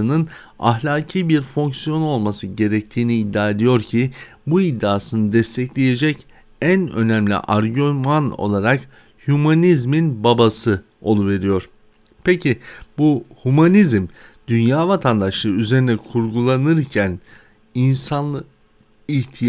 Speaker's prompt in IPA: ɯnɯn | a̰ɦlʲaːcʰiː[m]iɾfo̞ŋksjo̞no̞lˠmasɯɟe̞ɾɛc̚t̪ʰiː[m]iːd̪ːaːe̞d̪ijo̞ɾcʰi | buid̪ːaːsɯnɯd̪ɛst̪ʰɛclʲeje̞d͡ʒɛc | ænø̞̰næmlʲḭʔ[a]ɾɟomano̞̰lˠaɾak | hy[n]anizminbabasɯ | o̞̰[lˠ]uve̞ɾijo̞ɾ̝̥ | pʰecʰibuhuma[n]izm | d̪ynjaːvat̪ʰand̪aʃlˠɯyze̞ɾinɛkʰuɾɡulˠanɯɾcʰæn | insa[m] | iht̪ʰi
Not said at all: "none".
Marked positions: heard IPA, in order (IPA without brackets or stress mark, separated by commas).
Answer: b, n, a, m, lˠ, n, n